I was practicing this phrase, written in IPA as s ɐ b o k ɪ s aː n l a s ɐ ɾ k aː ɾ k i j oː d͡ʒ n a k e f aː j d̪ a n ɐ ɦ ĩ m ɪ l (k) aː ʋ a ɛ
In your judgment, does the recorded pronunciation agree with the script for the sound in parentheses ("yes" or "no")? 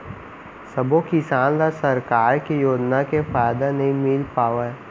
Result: no